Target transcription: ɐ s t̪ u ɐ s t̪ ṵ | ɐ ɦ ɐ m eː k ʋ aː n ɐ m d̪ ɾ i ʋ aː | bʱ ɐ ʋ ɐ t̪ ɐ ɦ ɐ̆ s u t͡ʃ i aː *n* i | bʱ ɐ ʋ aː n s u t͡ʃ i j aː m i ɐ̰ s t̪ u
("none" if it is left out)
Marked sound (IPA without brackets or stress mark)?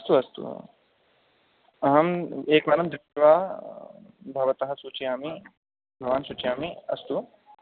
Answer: m